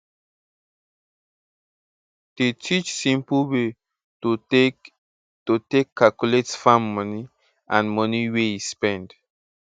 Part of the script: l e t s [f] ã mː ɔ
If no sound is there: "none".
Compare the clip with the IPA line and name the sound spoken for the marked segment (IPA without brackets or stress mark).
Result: f